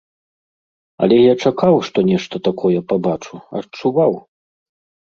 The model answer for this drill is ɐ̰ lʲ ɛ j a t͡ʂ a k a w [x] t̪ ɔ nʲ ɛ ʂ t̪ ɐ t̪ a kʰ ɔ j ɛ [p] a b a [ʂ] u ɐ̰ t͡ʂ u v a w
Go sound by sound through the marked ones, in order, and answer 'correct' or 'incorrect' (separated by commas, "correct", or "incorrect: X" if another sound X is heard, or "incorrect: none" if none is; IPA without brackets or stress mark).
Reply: incorrect: ʂ, correct, incorrect: t͡ʂ